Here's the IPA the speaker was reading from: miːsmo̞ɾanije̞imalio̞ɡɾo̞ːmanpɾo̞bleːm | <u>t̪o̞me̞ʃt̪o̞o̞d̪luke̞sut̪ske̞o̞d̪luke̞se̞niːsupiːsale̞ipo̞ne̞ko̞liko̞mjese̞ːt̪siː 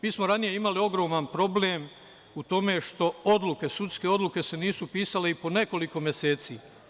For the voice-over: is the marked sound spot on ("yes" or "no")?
yes